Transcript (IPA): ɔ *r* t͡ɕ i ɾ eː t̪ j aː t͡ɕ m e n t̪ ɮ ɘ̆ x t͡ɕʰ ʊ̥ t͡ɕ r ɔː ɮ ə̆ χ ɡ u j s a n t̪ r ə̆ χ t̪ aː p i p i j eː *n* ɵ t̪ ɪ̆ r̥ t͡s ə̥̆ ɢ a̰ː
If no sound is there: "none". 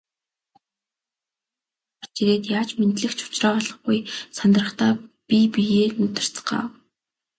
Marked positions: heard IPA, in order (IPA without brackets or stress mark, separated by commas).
r, n